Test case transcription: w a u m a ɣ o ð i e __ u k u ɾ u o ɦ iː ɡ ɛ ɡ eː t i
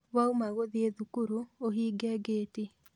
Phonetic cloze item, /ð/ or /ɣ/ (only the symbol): ð